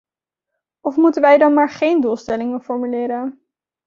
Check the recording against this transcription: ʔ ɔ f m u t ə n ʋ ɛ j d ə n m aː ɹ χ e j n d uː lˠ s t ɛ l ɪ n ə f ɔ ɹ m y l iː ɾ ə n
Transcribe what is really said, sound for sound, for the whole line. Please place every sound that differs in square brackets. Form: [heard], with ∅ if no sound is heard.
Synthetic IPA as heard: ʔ ɔ f m u t ə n ʋ ɛ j d [ɑ] n m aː ɹ χ e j n d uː lˠ s t ɛ l ɪ [ŋ] ə f ɔ ɹ m y l [ɪː] ɾ ə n